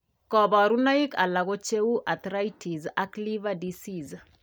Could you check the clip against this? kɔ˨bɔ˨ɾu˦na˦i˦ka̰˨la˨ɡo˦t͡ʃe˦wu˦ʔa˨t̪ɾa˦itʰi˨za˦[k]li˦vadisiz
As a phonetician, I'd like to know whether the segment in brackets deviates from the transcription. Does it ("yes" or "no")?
no